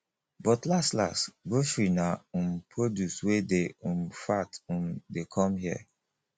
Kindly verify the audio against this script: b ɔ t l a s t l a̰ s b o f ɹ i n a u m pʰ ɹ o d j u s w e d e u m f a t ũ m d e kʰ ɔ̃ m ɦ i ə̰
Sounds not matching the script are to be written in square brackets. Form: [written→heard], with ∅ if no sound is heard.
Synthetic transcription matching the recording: b ɔ t l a s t l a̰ s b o f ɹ i n a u m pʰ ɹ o d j u s w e d e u m f a t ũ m d e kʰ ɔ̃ m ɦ i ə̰